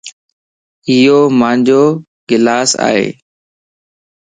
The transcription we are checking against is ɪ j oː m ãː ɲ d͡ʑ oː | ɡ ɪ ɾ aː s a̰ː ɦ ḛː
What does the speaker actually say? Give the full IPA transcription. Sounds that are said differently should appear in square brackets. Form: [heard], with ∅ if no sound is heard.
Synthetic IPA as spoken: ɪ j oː m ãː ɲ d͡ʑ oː | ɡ ɪ [l] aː s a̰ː ɦ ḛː